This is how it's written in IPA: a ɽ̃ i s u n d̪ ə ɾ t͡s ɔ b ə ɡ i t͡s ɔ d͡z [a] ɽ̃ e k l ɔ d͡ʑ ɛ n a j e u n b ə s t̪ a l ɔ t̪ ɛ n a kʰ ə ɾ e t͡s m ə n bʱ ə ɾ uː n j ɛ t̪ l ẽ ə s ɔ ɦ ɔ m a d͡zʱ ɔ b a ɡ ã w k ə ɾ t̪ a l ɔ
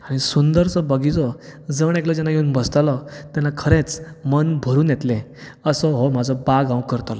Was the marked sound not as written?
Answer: yes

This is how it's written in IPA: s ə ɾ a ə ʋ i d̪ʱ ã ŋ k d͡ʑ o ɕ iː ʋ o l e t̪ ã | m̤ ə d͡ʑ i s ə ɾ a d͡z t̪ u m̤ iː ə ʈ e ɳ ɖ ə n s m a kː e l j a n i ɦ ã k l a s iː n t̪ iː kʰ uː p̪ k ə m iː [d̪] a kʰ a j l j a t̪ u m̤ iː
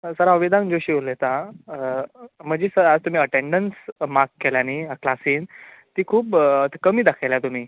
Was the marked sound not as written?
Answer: no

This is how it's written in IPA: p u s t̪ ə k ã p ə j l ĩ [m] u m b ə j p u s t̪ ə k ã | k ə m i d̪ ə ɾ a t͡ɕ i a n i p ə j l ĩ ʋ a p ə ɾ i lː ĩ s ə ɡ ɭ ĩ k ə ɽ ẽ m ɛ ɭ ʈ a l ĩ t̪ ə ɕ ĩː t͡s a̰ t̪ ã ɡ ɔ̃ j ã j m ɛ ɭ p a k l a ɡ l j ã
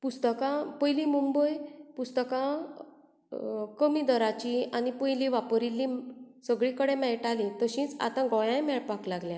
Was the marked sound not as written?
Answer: no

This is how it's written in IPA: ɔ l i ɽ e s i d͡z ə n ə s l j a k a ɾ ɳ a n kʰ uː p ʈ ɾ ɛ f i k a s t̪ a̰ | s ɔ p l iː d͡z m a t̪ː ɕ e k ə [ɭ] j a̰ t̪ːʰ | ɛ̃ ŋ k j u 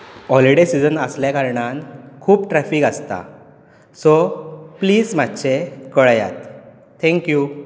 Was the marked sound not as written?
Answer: no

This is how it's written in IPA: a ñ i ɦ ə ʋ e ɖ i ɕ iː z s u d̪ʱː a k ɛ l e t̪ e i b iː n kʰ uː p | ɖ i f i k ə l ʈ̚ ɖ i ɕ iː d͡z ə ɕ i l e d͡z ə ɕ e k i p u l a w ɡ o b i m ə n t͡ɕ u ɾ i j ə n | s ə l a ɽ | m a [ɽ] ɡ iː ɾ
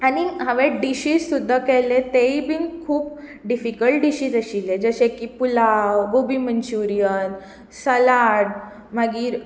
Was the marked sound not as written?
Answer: yes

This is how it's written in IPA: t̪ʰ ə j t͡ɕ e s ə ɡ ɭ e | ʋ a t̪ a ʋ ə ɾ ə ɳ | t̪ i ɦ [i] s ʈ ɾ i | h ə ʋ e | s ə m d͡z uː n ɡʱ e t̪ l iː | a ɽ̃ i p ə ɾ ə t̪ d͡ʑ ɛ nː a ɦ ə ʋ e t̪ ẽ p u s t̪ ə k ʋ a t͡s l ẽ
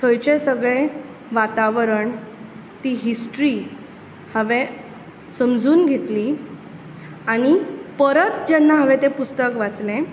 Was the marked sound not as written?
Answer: no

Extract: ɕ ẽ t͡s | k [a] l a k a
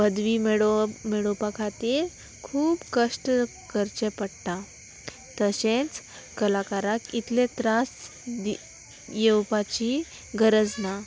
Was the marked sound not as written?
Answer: yes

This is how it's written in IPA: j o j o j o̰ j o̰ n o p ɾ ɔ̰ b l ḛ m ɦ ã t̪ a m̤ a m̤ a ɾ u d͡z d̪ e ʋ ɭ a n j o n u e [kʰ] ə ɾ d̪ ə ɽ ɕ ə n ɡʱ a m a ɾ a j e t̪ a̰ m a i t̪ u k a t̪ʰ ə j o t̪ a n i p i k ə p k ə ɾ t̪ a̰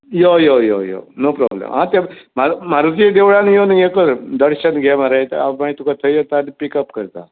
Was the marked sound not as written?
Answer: yes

